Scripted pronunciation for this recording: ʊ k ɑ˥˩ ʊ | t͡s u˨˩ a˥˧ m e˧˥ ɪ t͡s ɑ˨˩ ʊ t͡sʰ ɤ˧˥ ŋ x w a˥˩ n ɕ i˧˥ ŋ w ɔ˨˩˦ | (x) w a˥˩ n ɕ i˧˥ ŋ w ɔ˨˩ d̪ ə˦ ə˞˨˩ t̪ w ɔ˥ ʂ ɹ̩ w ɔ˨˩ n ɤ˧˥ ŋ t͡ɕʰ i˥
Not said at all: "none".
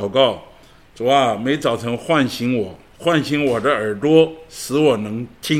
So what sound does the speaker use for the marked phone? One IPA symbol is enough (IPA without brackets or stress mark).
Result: x